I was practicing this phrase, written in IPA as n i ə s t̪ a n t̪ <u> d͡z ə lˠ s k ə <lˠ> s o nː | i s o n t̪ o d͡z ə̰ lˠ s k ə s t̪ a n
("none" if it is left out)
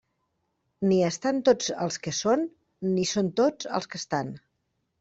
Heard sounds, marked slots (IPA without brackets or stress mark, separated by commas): o, none